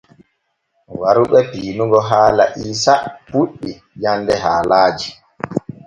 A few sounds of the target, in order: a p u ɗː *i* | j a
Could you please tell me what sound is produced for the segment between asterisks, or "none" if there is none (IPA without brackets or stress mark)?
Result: i